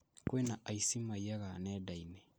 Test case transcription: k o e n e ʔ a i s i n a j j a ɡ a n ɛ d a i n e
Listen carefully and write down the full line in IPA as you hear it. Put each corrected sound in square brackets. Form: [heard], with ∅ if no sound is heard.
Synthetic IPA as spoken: k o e n [a] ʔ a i s i [m] a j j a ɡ a n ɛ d a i n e